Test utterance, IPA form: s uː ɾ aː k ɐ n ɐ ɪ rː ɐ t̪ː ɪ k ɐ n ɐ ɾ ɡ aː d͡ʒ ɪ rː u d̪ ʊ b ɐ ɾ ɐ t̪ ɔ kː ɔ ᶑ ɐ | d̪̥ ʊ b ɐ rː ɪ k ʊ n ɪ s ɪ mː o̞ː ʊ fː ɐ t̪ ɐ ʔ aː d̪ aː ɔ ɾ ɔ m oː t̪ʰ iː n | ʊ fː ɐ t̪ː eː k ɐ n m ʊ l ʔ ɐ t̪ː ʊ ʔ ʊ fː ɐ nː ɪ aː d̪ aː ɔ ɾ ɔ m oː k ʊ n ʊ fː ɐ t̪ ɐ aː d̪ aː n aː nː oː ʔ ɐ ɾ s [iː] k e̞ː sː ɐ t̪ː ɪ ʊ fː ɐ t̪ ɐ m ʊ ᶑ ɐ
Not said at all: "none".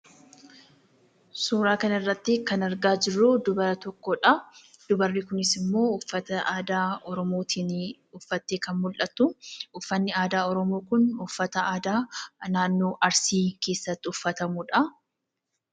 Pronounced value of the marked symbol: iː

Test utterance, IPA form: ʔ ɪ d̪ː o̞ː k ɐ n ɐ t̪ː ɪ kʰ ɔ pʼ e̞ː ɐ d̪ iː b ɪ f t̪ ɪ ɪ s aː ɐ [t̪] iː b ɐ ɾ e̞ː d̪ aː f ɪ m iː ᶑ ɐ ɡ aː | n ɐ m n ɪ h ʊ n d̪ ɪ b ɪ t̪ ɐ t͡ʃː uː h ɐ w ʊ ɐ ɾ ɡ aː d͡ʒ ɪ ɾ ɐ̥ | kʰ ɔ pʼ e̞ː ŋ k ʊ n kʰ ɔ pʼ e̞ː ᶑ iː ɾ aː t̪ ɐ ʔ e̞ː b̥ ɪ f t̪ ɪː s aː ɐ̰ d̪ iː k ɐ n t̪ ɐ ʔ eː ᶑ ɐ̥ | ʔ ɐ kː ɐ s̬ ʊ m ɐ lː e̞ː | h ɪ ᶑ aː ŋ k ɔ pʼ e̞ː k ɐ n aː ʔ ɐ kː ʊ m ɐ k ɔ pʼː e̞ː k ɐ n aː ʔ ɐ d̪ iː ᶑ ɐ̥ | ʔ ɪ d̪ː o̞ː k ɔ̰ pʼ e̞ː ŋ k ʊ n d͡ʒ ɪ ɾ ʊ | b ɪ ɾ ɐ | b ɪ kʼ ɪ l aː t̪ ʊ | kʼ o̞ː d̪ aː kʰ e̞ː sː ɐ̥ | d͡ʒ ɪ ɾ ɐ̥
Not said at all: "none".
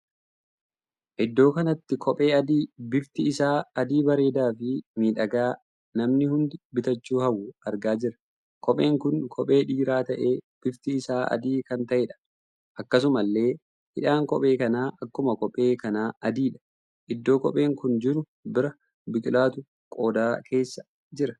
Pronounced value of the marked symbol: d̪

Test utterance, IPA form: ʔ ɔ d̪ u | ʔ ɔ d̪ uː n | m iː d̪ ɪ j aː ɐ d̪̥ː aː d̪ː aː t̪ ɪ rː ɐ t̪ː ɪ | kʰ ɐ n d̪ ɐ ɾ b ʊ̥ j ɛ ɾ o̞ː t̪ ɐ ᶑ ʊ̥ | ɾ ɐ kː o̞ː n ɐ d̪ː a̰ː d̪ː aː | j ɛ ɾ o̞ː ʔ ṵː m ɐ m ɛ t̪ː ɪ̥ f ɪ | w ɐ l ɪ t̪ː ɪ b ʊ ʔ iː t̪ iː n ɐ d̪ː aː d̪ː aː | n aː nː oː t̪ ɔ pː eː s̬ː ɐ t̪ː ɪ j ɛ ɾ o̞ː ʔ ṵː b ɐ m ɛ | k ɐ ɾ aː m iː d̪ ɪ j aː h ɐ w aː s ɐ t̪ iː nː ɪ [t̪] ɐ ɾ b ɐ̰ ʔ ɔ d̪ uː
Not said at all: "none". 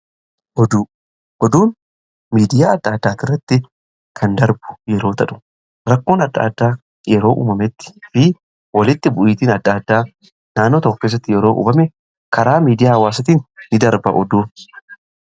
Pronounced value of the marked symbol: d̪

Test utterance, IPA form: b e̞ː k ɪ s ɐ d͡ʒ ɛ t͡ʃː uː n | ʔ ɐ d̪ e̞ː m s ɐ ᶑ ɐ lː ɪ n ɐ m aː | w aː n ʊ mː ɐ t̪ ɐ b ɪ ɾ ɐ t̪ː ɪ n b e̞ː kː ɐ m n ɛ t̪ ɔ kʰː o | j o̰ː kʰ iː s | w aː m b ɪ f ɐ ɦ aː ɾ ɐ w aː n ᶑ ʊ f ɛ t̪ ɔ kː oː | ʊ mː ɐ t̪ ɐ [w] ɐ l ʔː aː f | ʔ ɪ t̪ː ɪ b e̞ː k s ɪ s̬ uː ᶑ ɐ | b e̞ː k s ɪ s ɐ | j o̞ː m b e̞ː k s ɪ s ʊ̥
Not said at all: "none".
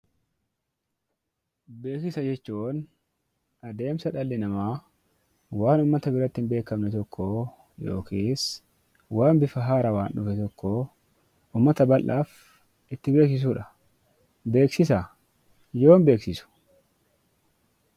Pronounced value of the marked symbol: b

